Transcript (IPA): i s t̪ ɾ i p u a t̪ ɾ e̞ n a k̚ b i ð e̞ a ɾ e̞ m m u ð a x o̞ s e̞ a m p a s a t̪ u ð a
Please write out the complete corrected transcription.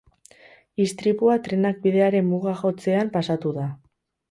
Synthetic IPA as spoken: i s t̪ ɾ i p u a t̪ ɾ e̞ n a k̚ b i ð e̞ a ɾ e̞ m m u ɣ a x o̞ t͡s e̞ a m p a s a t̪ u ð a